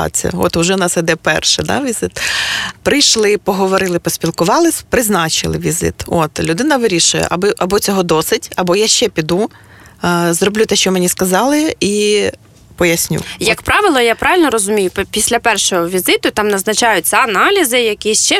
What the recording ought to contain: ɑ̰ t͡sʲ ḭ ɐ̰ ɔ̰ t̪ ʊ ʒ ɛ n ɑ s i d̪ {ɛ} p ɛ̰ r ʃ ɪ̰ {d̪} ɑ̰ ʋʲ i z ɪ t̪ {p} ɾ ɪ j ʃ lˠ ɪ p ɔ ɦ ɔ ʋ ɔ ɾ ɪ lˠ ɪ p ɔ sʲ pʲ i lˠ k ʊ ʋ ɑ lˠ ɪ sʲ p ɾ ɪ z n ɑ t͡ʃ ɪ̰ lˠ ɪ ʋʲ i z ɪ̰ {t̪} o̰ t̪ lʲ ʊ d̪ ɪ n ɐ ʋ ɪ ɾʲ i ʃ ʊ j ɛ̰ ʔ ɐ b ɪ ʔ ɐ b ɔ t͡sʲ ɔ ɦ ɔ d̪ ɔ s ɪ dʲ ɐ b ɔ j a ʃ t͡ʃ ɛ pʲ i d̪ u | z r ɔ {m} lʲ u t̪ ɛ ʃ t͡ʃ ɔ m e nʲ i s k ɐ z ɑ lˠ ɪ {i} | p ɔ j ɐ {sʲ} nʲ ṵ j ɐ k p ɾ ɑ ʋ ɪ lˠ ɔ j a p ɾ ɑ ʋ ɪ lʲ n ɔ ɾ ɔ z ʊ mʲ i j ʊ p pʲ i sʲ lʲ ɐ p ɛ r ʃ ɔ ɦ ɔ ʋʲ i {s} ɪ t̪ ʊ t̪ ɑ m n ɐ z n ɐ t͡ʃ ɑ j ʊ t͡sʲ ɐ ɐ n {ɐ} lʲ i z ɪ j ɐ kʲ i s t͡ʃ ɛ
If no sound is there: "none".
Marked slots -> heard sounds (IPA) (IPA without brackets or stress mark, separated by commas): ɛ, d̪, p, t̪, b, i, sʲ, z, ɑ